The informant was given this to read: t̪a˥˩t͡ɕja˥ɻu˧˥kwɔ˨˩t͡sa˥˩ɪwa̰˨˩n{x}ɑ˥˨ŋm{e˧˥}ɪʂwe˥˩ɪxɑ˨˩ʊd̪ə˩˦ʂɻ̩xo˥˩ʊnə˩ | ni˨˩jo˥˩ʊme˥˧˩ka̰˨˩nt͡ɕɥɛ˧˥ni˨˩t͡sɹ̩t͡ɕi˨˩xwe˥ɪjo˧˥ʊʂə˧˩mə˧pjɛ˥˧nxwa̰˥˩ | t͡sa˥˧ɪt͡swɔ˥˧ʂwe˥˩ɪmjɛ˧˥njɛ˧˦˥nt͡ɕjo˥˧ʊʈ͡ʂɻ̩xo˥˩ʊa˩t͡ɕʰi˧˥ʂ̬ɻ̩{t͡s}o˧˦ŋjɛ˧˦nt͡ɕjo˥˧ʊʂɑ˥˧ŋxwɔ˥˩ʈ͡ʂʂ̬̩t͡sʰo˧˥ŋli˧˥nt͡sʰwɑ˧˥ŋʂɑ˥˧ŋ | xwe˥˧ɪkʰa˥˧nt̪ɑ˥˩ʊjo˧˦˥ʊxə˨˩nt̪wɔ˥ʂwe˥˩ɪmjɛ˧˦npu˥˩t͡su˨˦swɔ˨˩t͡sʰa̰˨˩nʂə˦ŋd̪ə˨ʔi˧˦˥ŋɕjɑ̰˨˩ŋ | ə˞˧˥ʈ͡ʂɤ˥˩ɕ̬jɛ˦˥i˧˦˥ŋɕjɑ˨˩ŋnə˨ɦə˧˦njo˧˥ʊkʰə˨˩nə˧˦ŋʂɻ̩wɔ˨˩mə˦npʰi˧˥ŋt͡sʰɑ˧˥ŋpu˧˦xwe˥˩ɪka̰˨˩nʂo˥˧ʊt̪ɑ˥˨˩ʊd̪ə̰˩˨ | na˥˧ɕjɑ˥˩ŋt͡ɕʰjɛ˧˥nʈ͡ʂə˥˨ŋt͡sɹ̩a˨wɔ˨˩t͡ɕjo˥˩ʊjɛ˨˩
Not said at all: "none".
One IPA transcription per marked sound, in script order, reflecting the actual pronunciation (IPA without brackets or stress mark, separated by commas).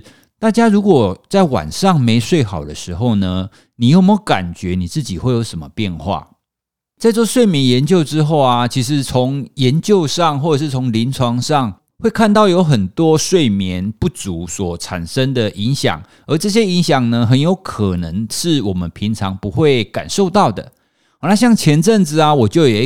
ʂ, e˧˥, t͡sʰ